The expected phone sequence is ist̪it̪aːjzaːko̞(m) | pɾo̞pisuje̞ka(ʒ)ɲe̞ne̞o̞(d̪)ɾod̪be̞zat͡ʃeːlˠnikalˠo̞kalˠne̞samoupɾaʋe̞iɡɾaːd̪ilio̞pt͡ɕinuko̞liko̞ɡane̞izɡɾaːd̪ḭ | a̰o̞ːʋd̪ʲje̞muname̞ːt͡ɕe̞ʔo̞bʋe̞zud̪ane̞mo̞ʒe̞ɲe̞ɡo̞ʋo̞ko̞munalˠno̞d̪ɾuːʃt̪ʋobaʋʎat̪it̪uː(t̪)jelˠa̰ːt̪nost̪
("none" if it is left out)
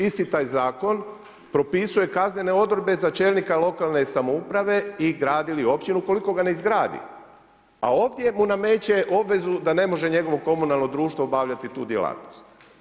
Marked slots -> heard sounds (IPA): n, z, d̪, d̪

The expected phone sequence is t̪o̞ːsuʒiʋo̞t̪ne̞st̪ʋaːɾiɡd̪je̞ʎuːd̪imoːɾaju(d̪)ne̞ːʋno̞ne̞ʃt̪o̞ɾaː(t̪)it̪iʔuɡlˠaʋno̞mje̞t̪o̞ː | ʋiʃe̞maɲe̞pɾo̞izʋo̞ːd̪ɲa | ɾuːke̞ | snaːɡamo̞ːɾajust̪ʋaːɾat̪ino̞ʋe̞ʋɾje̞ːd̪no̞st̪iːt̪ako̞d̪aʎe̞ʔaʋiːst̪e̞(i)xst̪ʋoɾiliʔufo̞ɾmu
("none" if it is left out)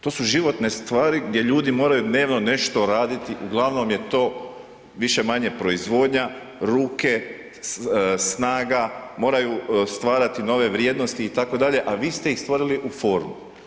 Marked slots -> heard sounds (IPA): d̪, d̪, i

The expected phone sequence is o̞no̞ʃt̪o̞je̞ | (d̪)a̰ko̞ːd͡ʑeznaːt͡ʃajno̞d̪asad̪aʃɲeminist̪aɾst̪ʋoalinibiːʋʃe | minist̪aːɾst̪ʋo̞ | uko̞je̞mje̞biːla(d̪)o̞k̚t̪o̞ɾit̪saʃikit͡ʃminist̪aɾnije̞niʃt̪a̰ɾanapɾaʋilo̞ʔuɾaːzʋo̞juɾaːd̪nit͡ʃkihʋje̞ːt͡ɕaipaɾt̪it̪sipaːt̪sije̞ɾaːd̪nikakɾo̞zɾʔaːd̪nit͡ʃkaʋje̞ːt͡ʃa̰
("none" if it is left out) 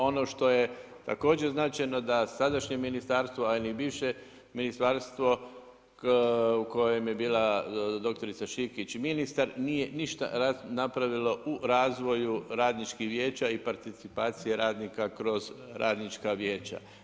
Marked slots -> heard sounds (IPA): t̪, d̪

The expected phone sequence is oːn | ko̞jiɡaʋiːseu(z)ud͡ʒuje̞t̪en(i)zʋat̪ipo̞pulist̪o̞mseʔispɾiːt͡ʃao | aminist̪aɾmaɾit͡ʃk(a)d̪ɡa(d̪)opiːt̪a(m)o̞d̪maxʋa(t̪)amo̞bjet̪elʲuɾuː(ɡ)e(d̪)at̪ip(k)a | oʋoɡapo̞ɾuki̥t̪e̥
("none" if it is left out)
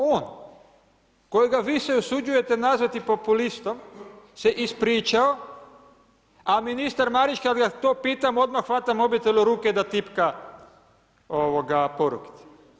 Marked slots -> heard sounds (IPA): s, a, a, t̪, m, t̪, k, d̪, k

